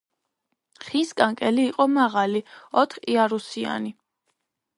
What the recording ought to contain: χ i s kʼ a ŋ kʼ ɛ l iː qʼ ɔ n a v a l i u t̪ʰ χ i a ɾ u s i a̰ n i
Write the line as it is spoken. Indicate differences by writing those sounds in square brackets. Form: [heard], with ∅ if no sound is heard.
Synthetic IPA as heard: χ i s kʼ a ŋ kʼ ɛ l iː qʼ ɔ [m] a [ʁ] a l i [ɔ] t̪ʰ χ i a ɾ u s i a̰ n i

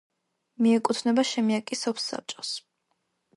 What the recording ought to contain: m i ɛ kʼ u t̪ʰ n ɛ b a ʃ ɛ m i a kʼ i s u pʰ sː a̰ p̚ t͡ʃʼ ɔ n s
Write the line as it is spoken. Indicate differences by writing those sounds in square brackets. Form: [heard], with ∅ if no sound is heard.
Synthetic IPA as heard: m i ɛ kʼ u t̪ʰ n ɛ b a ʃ ɛ m i a kʼ i s [ɔ] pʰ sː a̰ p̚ t͡ʃʼ ɔ [∅] s

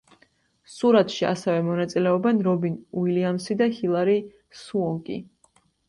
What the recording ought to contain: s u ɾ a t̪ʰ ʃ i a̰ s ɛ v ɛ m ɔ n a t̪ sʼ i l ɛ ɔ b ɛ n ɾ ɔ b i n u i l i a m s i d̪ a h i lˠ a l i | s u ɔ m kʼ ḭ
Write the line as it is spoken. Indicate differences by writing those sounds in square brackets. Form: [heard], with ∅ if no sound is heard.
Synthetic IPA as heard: s u ɾ a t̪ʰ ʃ i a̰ s ɛ v ɛ m ɔ n a t̪ sʼ i l ɛ ɔ b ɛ n ɾ ɔ b i n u i l i a m s i d̪ a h i lˠ a [ɾ] i | s u ɔ [ŋ] kʼ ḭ

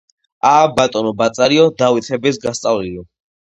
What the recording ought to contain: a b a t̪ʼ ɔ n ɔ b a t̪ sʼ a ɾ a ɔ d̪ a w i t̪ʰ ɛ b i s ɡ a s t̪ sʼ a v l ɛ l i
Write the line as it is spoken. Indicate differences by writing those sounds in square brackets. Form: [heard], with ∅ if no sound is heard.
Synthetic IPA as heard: a b a t̪ʼ ɔ n ɔ b a t̪ sʼ a ɾ [i] ɔ d̪ a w i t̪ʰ ɛ b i s ɡ a s t̪ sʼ a v l [i] l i

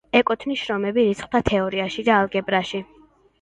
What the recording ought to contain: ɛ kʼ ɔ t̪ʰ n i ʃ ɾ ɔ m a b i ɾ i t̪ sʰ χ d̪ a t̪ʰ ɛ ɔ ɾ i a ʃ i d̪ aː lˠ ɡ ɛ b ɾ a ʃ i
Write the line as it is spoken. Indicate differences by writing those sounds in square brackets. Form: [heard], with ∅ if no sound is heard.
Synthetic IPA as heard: ɛ kʼ ɔ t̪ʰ n i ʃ ɾ ɔ m [ɛ] b i ɾ i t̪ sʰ χ d̪ a t̪ʰ ɛ ɔ ɾ i a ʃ i d̪ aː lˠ ɡ ɛ b ɾ a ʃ i

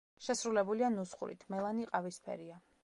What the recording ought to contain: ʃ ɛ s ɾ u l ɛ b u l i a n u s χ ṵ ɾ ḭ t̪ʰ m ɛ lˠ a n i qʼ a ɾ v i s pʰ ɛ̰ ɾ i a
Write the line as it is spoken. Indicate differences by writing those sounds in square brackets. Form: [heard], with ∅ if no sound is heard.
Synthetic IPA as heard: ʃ ɛ s ɾ u l ɛ b u l i a n u s χ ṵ ɾ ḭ t̪ʰ m ɛ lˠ a n i qʼ a [∅] v i s pʰ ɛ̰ ɾ i a

